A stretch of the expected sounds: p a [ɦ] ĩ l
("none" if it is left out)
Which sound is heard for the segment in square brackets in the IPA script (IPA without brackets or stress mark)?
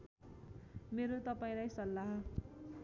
none